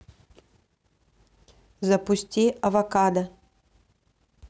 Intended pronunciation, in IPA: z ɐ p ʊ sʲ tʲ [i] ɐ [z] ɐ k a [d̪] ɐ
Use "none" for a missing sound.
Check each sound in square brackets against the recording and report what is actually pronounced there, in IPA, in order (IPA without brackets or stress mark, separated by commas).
i, v, d̪